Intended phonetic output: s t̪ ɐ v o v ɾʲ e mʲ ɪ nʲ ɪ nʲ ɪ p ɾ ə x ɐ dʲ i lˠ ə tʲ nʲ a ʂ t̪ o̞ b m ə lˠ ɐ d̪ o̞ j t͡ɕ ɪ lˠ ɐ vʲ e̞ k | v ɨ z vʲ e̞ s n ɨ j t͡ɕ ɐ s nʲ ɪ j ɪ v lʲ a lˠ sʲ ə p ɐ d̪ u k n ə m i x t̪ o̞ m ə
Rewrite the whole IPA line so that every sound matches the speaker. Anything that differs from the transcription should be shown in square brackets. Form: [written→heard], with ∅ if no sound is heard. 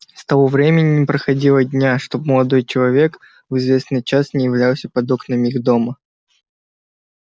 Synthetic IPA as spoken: s t̪ ɐ v o v ɾʲ e mʲ ɪ nʲ ɪ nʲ ɪ p ɾ ə x ɐ dʲ i lˠ ə [tʲ→dʲ] nʲ a ʂ t̪ o̞ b m ə lˠ ɐ d̪ o̞ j t͡ɕ ɪ lˠ ɐ vʲ e̞ k | v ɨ z vʲ e̞ s n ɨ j t͡ɕ [ɐ→a] s nʲ ɪ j ɪ v lʲ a lˠ sʲ ə p ɐ d̪ [u→o] k n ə m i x [t̪→d̪] o̞ m ə